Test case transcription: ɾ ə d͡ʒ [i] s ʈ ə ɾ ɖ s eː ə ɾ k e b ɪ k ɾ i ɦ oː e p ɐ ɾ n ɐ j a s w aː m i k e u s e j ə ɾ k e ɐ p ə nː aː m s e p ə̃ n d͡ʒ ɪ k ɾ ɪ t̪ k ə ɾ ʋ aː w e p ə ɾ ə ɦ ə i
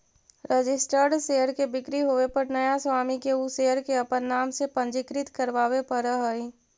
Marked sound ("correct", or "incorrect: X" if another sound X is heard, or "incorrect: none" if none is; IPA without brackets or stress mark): incorrect: ɪ